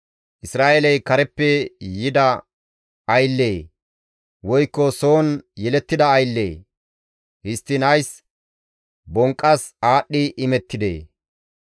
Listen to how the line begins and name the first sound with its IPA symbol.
ʔ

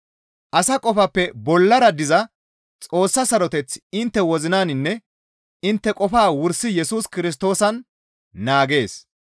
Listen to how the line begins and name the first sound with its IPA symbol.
ʔ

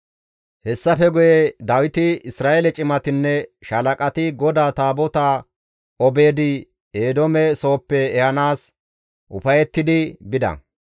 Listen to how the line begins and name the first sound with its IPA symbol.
h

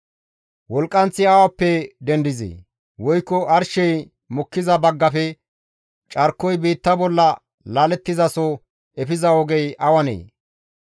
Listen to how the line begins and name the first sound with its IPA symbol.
w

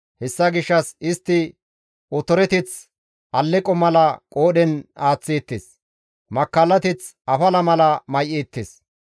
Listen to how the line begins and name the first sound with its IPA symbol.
h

